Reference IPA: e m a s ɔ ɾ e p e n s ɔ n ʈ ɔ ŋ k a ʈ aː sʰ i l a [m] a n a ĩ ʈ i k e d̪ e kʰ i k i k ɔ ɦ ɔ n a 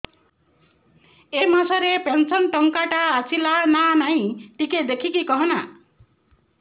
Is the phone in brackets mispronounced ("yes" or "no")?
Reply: yes